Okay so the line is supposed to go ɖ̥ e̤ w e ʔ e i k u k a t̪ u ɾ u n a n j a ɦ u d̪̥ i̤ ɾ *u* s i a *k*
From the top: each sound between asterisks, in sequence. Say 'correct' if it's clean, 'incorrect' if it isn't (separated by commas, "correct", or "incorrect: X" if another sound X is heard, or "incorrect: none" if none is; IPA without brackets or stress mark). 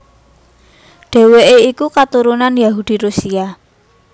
correct, incorrect: none